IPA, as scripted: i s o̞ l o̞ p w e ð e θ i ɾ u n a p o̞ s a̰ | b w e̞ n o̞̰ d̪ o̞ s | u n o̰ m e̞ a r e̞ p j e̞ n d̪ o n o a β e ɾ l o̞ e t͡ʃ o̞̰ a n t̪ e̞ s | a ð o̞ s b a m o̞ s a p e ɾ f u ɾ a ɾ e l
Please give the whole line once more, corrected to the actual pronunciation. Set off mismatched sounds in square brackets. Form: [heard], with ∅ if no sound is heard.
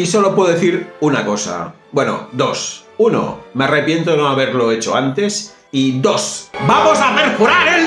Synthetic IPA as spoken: i s o̞ l o̞ p w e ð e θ i ɾ u n a [k] o̞ s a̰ | b w e̞ n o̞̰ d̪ o̞ s | u n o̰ m e̞ a r e̞ p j e̞ n [t̪] o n o a β e ɾ l o̞ e t͡ʃ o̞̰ a n t̪ e̞ s | [i] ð o̞ s b a m o̞ s a p e ɾ f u ɾ a ɾ e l